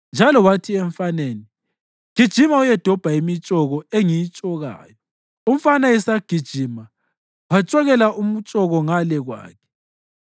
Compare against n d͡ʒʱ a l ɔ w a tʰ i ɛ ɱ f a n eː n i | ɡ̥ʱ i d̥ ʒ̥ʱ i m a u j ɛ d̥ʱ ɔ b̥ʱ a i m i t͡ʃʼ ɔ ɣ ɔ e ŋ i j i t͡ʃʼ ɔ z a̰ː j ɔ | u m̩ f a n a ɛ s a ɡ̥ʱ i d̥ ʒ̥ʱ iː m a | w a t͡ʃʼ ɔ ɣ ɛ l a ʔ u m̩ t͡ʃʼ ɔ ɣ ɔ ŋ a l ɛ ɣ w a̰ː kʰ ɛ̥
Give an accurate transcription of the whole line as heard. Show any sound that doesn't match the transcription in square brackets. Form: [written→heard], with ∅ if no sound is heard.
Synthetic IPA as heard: n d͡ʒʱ a l ɔ w a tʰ i ɛ ɱ f a n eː n i | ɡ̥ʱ i d̥ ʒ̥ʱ i m a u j ɛ d̥ʱ ɔ b̥ʱ a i m i t͡ʃʼ ɔ ɣ ɔ e ŋ i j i t͡ʃʼ ɔ [z→ɣ] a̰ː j ɔ | u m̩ f a n a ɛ s a ɡ̥ʱ i d̥ ʒ̥ʱ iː m a | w a t͡ʃʼ ɔ ɣ ɛ l a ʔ u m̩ t͡ʃʼ ɔ ɣ ɔ ŋ a l ɛ ɣ w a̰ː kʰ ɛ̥